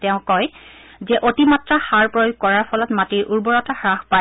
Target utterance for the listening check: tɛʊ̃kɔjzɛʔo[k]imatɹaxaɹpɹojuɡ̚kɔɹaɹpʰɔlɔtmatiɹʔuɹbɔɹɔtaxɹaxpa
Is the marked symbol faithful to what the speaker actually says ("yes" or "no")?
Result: no